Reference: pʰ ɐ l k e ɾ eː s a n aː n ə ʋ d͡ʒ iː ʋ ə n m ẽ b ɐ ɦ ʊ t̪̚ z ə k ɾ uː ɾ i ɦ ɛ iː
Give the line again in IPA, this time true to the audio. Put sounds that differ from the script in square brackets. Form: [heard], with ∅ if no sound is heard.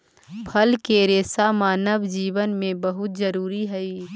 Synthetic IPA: pʰ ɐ l k e ɾ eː s a [m] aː n ə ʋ d͡ʒ iː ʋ ə n m ẽ b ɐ ɦ ʊ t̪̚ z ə [∅] ɾ uː ɾ i ɦ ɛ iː